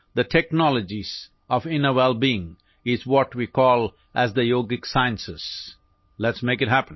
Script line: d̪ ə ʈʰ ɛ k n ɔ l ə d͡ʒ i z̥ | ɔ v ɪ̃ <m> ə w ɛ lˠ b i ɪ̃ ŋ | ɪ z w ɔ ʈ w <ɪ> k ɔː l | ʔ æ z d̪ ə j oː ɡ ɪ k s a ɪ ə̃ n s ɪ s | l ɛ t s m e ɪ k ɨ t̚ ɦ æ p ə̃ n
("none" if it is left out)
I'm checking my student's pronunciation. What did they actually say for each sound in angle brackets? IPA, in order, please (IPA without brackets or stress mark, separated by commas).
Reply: n, i